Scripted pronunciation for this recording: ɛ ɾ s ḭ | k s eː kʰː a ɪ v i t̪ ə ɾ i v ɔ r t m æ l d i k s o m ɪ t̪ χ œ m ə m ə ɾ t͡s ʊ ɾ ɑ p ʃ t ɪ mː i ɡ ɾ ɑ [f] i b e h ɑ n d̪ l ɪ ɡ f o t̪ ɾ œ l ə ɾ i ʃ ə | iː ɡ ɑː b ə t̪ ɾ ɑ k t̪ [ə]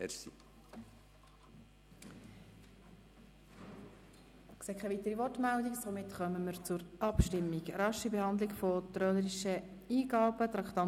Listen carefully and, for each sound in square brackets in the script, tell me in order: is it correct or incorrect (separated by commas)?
incorrect, incorrect